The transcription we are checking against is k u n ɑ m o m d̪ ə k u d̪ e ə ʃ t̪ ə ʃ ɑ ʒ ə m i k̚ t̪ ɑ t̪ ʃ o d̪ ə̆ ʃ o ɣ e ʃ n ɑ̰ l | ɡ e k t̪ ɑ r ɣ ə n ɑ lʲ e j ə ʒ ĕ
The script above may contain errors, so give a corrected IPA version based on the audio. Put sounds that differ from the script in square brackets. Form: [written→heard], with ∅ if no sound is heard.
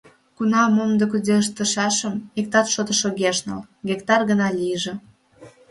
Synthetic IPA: k u n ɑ m o m d̪ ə k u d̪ e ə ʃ t̪ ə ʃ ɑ [ʒ→ʃ] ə m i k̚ t̪ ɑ t̪ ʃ o [d̪→t̪] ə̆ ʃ o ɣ e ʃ n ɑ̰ l | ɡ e k t̪ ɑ r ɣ ə n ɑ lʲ [e→i] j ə ʒ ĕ